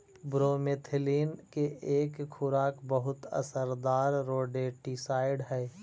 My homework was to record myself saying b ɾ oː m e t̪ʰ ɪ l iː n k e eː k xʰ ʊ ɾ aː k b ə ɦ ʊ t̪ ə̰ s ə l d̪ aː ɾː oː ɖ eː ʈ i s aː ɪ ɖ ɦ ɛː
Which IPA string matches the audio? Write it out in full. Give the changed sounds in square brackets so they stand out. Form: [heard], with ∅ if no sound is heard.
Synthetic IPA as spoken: b ɾ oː m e t̪ʰ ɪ l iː n k e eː k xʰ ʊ ɾ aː k b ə ɦ ʊ t̪ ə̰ s ə [ɾ] d̪ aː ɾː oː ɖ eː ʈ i s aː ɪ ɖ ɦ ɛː